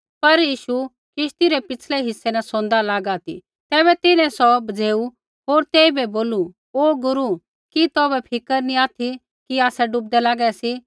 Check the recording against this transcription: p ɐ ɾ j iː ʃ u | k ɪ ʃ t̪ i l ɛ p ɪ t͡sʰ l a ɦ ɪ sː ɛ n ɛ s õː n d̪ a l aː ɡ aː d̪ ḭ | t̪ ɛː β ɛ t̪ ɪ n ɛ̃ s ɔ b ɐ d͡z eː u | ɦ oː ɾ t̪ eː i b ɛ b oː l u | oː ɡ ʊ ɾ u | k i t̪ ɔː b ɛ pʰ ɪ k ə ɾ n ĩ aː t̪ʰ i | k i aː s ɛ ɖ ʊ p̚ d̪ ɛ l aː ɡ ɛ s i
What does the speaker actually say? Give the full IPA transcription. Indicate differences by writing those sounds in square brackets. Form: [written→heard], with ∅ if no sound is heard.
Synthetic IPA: p ɐ ɾ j iː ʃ u | k ɪ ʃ t̪ i [l→ɾ] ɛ p ɪ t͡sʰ l [a→ɛ] ɦ ɪ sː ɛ n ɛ s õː n d̪ a l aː ɡ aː [d̪→t̪] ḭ | t̪ ɛː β ɛ t̪ ɪ n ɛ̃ s ɔ b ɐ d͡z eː u | ɦ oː ɾ t̪ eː i b ɛ b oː l u | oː ɡ ʊ ɾ u | k i t̪ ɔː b ɛ pʰ ɪ k ə ɾ n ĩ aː t̪ʰ i | k i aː s ɛ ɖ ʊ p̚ d̪ ɛ l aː ɡ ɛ s i